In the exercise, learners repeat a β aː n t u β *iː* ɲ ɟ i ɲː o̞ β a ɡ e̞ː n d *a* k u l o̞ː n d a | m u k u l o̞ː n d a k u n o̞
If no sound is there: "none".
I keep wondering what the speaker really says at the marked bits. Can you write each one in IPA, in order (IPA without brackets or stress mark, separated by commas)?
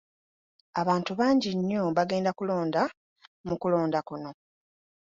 aː, a